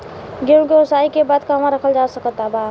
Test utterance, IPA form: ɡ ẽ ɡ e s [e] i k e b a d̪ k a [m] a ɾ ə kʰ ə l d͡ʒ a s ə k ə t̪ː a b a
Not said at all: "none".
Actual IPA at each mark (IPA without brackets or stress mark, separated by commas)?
a, m